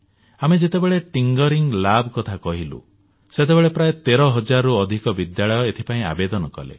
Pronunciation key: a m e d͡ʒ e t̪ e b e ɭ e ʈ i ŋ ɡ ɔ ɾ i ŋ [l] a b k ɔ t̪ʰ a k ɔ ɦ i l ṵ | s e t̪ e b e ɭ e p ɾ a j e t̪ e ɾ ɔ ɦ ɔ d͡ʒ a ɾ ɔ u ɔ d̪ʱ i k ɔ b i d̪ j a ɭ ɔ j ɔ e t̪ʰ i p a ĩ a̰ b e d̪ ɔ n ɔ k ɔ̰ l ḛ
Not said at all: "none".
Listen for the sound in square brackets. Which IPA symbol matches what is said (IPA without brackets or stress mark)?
l